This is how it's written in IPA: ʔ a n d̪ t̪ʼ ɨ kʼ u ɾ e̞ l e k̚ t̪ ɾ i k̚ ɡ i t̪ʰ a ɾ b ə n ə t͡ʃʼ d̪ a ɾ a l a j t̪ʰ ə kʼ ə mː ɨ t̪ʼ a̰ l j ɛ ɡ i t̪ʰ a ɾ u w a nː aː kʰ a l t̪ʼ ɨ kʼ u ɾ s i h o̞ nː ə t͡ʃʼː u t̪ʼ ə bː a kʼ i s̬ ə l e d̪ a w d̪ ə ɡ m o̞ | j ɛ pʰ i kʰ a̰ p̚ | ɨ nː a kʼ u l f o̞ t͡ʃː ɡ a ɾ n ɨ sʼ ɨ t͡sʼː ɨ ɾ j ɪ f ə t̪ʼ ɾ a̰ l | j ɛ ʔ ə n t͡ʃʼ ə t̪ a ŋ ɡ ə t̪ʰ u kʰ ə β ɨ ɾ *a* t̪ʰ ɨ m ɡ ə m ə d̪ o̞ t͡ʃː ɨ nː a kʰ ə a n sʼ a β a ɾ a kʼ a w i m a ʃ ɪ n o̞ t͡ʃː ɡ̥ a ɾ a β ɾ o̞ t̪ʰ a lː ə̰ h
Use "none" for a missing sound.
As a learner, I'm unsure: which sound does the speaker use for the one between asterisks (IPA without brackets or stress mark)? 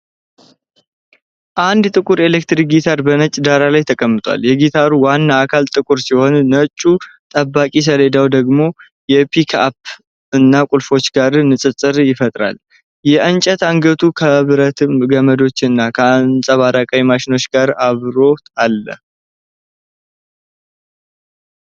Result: ə